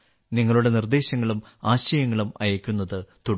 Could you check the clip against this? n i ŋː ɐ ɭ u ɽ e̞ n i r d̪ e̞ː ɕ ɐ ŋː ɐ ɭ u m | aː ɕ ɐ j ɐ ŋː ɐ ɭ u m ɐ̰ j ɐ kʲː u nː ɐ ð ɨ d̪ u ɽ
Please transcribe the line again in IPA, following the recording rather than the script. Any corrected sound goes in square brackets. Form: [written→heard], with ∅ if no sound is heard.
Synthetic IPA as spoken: n i ŋː ɐ ɭ u ɽ e̞ n i r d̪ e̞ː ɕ ɐ ŋː ɐ ɭ u m | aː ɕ ɐ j ɐ ŋː ɐ ɭ u m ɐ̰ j ɐ kʲː u nː ɐ ð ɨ [d̪→t̪] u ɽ